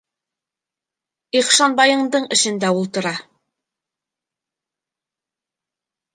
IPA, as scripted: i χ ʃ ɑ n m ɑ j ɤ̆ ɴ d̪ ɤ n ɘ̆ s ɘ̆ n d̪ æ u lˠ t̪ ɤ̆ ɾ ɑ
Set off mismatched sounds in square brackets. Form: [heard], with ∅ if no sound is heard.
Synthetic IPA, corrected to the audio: i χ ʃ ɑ n [b] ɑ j ɤ̆ ɴ d̪ ɤ [ɴ] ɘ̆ [ʃ] ɘ̆ n d̪ æ u lˠ t̪ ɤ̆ ɾ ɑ